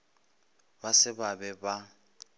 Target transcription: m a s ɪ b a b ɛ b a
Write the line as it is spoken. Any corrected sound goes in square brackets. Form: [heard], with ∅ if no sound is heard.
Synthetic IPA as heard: [b] a s ɪ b a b ɛ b a